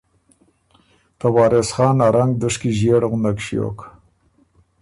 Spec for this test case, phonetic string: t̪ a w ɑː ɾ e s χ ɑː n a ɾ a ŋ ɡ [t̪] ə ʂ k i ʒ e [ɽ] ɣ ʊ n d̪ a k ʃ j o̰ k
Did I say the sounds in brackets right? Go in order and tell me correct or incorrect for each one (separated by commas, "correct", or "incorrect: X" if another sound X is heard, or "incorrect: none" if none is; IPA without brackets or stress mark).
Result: incorrect: d̪, correct